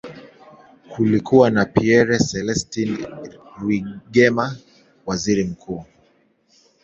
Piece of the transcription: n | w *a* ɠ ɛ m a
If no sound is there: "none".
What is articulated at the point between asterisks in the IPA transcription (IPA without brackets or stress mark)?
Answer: i